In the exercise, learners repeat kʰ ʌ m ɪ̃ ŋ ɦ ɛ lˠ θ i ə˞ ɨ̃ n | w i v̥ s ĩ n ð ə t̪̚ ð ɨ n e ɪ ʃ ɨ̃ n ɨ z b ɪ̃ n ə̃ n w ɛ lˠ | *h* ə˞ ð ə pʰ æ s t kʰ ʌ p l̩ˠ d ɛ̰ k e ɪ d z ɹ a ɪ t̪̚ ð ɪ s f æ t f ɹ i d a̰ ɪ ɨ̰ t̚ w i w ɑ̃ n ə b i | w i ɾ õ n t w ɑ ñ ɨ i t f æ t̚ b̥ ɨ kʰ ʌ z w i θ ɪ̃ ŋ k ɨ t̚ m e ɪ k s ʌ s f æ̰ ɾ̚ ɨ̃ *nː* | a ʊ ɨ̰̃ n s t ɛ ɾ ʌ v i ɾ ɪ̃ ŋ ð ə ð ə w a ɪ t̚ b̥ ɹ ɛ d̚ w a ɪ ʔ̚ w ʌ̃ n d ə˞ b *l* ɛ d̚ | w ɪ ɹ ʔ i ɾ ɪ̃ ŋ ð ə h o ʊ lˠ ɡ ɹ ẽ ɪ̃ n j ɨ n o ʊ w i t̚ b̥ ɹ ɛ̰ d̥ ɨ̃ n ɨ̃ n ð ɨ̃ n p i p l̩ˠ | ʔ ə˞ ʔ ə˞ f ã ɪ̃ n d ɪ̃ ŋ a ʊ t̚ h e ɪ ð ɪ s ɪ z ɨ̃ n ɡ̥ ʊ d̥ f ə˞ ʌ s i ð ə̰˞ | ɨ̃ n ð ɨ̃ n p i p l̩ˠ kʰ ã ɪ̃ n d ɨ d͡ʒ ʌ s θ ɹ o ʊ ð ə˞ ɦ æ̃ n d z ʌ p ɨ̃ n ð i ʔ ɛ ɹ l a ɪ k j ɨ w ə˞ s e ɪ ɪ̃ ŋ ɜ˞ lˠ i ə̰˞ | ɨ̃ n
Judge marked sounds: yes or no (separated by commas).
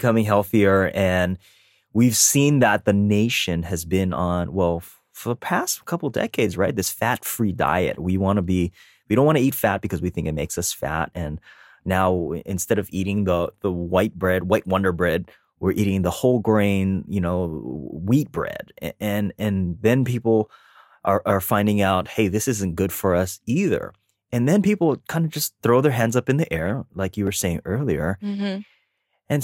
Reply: no, yes, no